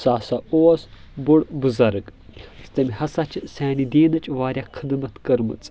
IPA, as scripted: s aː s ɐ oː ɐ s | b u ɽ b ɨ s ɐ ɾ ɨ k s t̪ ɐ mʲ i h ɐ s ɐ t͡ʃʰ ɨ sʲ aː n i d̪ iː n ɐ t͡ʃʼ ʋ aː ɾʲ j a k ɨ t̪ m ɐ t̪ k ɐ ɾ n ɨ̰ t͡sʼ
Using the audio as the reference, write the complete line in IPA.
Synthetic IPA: s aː s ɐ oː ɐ s | b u ɽ b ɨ z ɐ ɾ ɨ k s t̪ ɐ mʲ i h ɐ s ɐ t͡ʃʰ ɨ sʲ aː n i d̪ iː n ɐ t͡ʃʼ ʋ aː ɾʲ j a kʰ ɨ d̪ m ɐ t̪ k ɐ ɾ m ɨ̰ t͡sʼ